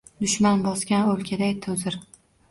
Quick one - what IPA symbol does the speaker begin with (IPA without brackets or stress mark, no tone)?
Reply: d̪